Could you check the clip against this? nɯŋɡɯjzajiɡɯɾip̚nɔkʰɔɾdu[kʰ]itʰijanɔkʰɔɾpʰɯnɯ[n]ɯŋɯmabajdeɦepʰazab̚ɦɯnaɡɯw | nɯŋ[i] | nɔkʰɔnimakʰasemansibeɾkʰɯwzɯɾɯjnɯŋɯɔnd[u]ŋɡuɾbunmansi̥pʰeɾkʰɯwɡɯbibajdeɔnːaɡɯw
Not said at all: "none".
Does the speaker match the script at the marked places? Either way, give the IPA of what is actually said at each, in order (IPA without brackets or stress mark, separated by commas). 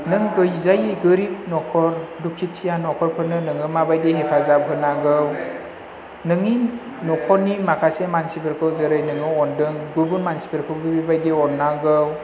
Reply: kʰ, n, i, ɯ